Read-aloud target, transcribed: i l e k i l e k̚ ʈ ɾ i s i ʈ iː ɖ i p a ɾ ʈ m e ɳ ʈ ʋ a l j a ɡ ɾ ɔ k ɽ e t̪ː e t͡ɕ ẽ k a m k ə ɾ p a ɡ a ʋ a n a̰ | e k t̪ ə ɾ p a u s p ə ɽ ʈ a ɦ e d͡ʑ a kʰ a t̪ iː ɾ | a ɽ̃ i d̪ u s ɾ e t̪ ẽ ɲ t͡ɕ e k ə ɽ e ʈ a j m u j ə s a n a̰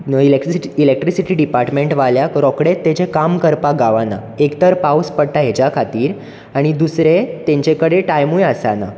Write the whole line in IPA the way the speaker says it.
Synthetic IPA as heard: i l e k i l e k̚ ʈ ɾ i s i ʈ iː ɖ i p a ɾ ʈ m e ɳ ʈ ʋ a l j a k ɾ ɔ k ɽ e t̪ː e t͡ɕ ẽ k a m k ə ɾ p a ɡ a ʋ a n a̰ | e k t̪ ə ɾ p a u s p ə ɽ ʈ a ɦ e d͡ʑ a kʰ a t̪ iː ɾ | a ɽ̃ i d̪ u s ɾ e t̪ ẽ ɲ t͡ɕ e k ə ɽ e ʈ a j m u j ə s a n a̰